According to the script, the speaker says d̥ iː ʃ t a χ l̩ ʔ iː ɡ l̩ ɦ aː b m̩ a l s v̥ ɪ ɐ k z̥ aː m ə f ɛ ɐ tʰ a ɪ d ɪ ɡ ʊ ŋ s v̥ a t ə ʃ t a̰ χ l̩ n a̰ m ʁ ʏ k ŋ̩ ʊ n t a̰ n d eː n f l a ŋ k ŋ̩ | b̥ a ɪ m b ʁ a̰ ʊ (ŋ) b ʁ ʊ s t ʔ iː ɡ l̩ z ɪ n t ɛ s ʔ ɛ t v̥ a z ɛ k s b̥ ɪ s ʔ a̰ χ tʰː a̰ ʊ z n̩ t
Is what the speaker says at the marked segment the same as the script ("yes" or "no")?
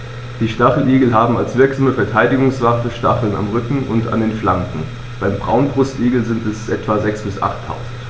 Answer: no